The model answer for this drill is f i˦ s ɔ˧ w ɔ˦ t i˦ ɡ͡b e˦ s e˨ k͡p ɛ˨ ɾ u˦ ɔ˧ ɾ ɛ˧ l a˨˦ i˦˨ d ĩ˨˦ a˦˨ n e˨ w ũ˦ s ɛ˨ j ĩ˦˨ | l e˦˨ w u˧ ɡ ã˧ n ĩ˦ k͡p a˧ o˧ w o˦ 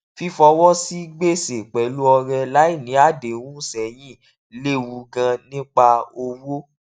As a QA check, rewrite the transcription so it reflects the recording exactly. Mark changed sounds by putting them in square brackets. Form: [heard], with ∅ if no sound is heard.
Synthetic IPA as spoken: f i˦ [f] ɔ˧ w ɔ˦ [s] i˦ ɡ͡b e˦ s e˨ k͡p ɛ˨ [l] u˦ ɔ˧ ɾ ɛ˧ l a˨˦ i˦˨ [n] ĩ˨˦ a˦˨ [d] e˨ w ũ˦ s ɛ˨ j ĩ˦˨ | l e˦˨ w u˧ ɡ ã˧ n ĩ˦ k͡p a˧ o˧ w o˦